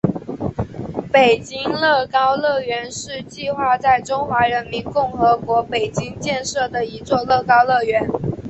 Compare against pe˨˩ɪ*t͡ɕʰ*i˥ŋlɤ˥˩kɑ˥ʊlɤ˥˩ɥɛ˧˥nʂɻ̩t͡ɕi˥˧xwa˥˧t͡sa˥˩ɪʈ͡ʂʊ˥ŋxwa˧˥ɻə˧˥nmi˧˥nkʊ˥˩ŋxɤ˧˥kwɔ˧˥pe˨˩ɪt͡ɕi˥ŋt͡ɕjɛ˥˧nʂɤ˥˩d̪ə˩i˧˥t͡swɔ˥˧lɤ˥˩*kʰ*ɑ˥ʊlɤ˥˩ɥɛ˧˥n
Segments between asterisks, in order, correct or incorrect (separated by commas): incorrect, incorrect